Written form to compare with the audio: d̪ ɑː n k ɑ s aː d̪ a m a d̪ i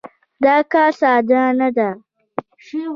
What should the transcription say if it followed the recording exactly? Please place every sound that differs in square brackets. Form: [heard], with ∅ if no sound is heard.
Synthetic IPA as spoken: d̪ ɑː [∅] k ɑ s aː d̪ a [n] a d̪ [a]